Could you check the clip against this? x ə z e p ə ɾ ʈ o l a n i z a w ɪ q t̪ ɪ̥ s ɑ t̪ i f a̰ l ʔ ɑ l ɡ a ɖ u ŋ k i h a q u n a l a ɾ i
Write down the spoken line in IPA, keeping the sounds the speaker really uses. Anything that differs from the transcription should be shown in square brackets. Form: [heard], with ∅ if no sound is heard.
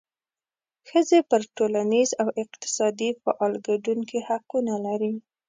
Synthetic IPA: x ə z e p ə ɾ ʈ o l a n i z a w ɪ q t̪ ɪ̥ s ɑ [d̪] i f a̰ [∅] ʔ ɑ l ɡ a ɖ u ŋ k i h a q u n a l a ɾ i